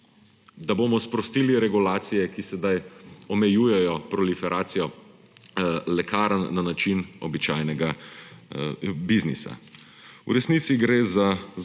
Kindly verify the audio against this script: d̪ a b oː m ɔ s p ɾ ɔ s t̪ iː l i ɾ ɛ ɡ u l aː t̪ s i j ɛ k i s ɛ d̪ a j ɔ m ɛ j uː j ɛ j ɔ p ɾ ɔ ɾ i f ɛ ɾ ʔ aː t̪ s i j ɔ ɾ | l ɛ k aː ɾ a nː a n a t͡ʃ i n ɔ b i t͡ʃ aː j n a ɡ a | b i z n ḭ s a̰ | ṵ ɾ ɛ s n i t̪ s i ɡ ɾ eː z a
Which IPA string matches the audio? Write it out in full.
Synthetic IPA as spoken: d̪ a b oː m ɔ s p ɾ ɔ s t̪ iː l i ɾ ɛ ɡ u l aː t̪ s i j ɛ k i s ɛ d̪ a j ɔ m ɛ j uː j ɛ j ɔ p ɾ ɔ l i f ɛ ɾ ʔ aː t̪ s i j ɔ | l ɛ k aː ɾ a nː a n a t͡ʃ i n ɔ b i t͡ʃ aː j n ɛ ɡ a | b i z n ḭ s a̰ | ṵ ɾ ɛ s n i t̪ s i ɡ ɾ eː z a